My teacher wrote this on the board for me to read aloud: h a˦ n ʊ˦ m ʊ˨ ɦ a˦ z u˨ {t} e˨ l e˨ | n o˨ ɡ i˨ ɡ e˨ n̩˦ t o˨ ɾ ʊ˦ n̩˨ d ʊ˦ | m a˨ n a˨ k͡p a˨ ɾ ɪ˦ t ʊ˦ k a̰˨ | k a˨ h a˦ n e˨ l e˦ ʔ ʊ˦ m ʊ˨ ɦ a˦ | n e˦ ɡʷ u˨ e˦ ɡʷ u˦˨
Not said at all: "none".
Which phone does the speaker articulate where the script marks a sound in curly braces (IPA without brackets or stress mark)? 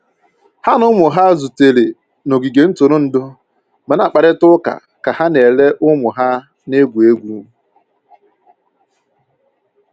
t